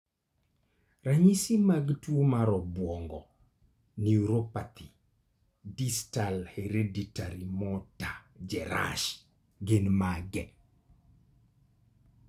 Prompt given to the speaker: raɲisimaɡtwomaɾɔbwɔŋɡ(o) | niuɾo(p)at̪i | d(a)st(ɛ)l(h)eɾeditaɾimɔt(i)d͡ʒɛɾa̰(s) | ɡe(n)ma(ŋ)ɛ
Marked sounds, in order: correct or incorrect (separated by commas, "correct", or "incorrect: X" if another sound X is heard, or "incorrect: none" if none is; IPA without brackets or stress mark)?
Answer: incorrect: ɔ, correct, incorrect: i, incorrect: a, correct, incorrect: a, incorrect: ʃ, correct, incorrect: ɡ